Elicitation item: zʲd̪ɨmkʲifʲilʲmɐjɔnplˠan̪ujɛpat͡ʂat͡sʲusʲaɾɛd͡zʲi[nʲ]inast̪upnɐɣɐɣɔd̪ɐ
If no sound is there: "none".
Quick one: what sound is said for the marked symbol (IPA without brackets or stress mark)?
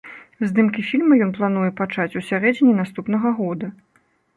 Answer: nʲ